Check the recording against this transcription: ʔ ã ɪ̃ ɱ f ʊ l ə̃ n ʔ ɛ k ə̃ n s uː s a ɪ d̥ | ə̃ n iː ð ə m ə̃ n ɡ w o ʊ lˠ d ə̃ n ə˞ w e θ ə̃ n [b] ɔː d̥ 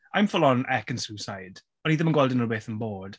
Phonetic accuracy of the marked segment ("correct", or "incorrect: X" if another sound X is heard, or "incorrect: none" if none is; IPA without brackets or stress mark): correct